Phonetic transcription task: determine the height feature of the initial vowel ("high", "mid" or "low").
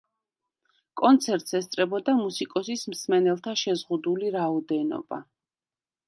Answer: mid